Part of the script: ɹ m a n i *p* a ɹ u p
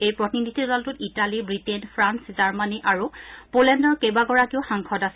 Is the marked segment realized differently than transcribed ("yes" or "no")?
yes